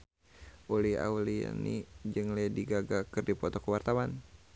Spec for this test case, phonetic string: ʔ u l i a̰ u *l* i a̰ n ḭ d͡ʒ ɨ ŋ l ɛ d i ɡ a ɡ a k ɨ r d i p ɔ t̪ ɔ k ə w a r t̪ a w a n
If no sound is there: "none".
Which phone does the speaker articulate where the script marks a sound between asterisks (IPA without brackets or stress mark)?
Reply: l